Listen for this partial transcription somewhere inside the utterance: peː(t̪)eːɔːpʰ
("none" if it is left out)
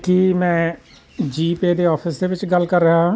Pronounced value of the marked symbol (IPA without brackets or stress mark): d̪